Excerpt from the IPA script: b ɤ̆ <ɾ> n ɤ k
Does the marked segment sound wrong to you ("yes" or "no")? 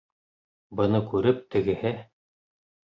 yes